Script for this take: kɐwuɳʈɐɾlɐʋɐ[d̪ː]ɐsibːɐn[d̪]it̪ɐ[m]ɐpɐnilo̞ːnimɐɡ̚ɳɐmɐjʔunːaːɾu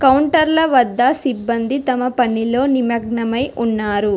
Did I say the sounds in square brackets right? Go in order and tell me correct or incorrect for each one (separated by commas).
correct, correct, correct